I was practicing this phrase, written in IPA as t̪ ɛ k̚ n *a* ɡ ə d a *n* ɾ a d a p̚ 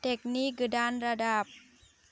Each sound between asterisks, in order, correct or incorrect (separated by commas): incorrect, correct